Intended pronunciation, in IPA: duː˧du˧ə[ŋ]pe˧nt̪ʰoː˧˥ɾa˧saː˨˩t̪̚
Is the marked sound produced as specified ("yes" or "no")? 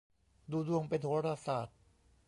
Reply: yes